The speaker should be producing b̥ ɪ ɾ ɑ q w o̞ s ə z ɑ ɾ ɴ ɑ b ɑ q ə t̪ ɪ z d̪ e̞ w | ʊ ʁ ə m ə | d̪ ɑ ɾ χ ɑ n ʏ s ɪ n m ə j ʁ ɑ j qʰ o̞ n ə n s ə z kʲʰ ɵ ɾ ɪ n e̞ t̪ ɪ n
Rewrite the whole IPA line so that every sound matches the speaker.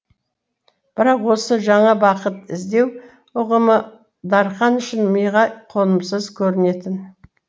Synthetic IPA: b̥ ɪ ɾ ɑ q w o̞ s ə ʒ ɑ ɴ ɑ b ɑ q ə t̪ ɪ z d̪ e̞ w | ʊ ʁ ə m ə | d̪ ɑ ɾ χ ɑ n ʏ ʃ ɪ n m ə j ʁ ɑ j qʰ o̞ n ə m s ə z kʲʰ ɵ ɾ ɪ n e̞ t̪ ɪ n